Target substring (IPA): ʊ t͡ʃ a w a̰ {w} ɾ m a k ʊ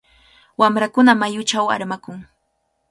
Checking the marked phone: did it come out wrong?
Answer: yes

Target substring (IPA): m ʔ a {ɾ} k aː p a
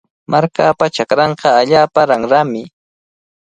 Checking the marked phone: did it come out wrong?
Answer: no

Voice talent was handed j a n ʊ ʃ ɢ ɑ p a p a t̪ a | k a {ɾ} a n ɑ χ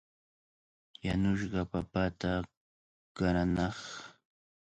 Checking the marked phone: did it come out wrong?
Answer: no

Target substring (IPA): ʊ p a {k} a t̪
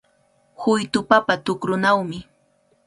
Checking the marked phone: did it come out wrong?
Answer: yes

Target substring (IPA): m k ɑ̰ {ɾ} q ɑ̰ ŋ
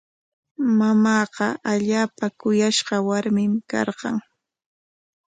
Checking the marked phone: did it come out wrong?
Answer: no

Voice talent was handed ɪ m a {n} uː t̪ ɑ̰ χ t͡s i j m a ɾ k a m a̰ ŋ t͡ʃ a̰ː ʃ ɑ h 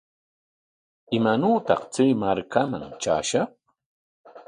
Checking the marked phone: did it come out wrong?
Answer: no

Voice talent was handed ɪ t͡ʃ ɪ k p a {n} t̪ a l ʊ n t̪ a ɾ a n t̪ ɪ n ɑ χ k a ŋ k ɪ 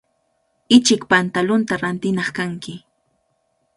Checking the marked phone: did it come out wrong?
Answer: no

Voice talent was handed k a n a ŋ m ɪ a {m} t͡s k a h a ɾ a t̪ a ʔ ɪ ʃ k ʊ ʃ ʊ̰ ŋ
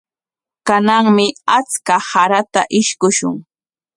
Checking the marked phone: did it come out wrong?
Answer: yes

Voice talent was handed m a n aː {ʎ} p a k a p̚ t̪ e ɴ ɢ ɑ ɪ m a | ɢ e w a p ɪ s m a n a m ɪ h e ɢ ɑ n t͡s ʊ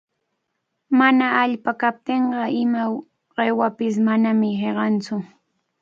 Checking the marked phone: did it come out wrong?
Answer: no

